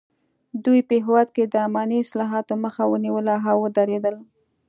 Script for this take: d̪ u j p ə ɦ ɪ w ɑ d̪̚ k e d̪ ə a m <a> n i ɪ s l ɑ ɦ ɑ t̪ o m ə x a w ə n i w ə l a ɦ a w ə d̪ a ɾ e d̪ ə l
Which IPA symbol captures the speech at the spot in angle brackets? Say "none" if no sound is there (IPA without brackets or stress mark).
ɑ